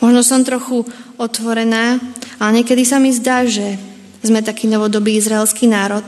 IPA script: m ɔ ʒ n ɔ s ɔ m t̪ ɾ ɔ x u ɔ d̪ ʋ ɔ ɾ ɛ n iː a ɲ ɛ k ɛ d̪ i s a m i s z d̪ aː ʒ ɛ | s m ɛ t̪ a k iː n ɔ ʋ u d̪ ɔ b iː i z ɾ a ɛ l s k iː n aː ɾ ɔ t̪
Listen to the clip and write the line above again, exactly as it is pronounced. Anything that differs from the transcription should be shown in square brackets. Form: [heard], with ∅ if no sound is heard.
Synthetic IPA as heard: m ɔ ʒ n ɔ s ɔ m t̪ ɾ ɔ x u ɔ [t̪] ʋ ɔ ɾ ɛ n [aː] a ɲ ɛ k ɛ d̪ i s a m i [∅] z d̪ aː ʒ ɛ | [z] m ɛ t̪ a k iː n ɔ ʋ [ɔ] d̪ ɔ b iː i z ɾ a ɛ l s k iː n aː ɾ ɔ t̪